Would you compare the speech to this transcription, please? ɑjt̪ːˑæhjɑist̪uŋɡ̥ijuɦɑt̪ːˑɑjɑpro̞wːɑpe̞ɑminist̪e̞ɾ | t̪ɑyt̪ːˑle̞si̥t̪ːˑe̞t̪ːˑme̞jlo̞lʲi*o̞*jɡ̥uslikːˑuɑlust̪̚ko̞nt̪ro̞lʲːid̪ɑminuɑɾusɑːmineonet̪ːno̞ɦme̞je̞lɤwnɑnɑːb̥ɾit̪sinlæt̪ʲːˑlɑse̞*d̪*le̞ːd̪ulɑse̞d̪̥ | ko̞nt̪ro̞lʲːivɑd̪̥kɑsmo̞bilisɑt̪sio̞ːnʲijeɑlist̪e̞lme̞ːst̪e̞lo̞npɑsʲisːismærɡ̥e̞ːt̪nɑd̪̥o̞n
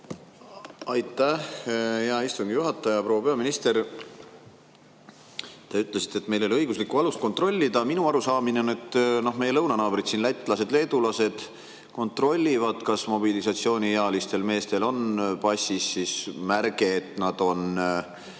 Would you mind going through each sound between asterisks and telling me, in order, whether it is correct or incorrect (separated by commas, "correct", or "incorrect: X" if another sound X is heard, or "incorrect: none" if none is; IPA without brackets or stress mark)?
incorrect: ɤ̞, correct